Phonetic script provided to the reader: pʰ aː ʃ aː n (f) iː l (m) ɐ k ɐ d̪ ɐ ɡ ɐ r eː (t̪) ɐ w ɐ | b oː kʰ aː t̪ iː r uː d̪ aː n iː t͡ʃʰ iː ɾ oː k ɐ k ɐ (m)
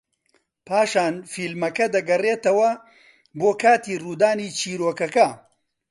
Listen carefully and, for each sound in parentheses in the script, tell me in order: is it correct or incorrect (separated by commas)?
correct, correct, correct, incorrect